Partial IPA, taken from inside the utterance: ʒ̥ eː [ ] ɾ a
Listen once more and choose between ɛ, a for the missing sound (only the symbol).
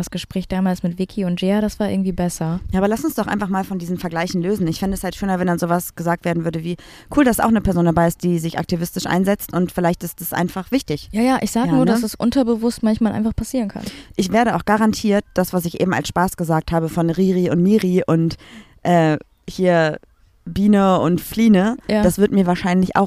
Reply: a